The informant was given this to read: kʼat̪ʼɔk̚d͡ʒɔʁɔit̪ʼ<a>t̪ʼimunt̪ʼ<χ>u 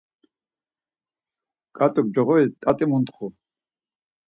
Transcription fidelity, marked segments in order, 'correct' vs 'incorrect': correct, correct

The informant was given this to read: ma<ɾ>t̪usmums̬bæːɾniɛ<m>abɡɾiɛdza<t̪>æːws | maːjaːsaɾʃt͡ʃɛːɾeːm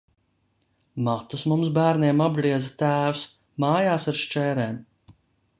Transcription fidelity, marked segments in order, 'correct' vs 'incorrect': incorrect, correct, correct

